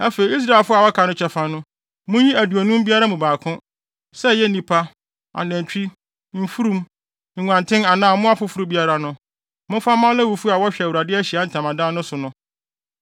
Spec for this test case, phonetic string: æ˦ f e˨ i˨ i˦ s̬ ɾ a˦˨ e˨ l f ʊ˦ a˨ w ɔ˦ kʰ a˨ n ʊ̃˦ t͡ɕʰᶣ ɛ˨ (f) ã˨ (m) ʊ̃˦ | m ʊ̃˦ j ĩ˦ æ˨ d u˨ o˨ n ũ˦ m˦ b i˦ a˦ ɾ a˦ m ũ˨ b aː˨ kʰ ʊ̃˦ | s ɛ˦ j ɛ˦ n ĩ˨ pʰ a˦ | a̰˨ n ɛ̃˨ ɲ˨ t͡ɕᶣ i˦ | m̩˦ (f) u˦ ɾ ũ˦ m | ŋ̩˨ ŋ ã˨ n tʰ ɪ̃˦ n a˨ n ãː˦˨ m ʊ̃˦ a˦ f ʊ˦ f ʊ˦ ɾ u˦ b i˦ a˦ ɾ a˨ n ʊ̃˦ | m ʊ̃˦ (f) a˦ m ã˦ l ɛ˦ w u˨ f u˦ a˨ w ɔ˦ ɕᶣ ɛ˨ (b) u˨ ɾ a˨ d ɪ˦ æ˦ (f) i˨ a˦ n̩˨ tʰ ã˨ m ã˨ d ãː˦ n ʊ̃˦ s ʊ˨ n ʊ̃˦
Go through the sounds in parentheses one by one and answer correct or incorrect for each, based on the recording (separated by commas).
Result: correct, incorrect, correct, correct, incorrect, incorrect